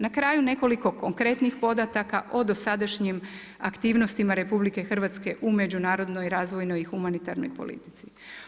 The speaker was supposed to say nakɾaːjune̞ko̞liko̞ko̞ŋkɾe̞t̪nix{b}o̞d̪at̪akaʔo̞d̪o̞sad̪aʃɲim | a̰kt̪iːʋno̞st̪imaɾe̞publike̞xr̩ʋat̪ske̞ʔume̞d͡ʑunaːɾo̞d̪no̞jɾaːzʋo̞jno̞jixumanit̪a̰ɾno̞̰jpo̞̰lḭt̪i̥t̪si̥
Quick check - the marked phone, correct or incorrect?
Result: incorrect: p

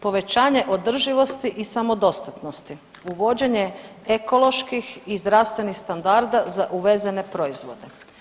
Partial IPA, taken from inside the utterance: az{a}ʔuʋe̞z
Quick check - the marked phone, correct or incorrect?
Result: correct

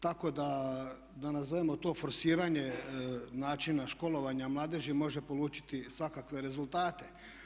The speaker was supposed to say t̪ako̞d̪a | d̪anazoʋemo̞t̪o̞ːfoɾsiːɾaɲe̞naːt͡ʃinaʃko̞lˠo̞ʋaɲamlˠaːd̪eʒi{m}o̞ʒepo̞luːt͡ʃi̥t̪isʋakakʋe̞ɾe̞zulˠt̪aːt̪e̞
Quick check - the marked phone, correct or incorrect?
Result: correct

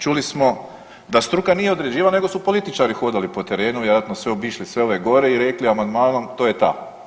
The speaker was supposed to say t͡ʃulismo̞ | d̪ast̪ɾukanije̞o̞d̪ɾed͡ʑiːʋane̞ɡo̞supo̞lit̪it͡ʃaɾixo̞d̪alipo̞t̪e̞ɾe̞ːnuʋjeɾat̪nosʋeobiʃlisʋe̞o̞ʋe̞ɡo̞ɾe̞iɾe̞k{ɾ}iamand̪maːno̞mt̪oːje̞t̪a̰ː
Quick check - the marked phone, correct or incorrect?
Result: incorrect: l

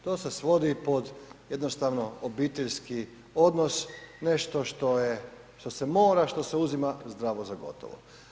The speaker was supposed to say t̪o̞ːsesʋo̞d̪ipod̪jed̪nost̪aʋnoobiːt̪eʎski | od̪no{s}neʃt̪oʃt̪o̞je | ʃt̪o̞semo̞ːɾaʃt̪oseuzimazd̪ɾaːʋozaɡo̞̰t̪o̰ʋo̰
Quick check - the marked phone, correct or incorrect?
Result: correct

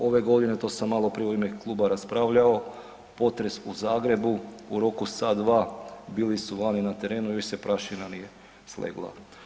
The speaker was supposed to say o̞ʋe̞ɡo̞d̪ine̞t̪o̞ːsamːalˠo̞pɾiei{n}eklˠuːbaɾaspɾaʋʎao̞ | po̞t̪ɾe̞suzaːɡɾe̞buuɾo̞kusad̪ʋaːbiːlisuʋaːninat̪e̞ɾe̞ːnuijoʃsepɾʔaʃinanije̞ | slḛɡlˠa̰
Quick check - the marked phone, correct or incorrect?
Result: incorrect: m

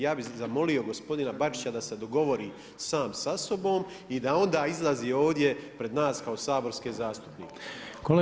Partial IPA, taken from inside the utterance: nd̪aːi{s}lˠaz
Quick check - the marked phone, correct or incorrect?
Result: incorrect: z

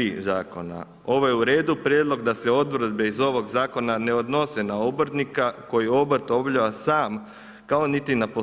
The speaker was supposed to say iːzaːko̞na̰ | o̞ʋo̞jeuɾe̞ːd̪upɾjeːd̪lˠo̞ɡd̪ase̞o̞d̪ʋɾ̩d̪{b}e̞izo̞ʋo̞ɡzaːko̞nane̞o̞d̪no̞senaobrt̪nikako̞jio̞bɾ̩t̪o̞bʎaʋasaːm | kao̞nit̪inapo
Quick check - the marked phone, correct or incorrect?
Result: correct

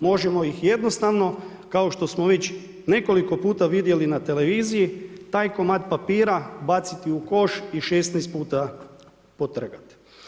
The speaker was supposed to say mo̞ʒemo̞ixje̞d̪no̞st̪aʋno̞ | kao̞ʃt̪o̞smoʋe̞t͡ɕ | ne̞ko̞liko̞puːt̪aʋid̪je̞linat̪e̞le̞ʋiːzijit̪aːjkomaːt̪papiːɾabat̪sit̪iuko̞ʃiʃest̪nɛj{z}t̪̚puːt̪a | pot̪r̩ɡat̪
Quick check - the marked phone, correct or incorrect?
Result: incorrect: s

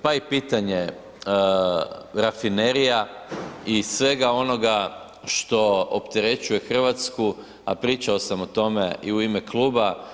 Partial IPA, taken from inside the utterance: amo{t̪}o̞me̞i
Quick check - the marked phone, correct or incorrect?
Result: correct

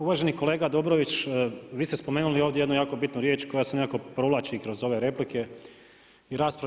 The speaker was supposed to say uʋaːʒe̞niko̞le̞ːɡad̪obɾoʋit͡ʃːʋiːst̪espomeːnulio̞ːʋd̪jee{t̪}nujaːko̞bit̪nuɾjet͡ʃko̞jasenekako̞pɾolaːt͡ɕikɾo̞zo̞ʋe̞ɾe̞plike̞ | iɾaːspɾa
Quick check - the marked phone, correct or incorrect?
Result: incorrect: d̪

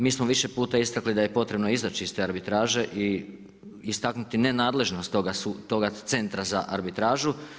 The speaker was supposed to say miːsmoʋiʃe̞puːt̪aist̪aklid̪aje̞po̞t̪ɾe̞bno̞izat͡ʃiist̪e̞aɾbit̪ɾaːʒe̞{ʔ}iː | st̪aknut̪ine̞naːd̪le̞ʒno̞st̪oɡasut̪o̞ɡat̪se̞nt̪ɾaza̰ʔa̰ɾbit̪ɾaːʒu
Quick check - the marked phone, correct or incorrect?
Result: correct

